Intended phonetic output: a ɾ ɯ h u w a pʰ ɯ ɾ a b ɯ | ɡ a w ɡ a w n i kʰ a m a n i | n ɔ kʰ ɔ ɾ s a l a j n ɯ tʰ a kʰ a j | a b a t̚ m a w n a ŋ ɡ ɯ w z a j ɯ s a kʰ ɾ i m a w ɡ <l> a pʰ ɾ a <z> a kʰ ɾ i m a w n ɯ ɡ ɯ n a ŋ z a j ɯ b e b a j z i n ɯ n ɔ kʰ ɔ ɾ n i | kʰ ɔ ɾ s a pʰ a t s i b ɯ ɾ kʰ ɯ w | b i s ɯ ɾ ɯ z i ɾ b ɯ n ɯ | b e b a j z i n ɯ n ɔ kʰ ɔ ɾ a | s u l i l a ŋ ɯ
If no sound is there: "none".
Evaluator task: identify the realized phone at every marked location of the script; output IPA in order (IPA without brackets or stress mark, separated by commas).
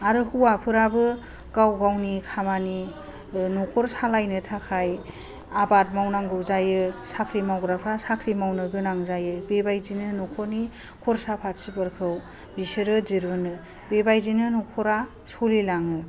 ɾ, s